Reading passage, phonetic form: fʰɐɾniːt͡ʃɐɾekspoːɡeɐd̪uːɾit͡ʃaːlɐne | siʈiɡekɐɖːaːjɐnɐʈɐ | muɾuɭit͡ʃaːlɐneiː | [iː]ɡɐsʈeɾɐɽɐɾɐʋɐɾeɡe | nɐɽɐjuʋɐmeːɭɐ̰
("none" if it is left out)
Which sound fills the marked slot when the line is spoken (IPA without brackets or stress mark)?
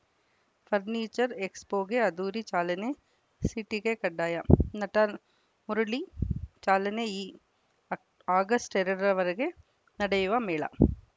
aː